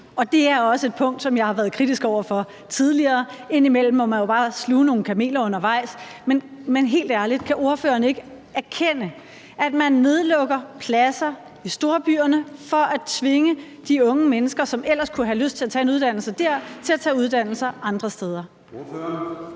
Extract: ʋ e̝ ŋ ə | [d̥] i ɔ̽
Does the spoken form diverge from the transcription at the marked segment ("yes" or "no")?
no